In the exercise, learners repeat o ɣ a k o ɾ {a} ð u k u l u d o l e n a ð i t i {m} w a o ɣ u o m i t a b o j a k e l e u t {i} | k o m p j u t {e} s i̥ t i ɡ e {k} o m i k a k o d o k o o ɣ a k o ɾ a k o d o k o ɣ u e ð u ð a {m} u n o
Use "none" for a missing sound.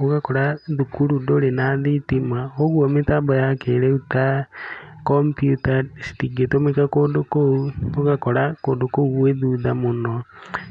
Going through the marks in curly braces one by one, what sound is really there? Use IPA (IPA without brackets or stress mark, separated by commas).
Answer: a, m, a, a, t, m